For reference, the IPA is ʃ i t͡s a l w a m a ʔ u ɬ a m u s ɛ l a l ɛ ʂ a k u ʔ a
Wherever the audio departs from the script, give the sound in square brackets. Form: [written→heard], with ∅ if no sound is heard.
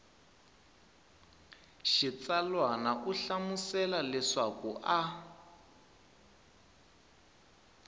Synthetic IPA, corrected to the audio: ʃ i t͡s a l w a [m→n] a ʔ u ɬ a m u s ɛ l a l ɛ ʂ a k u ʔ a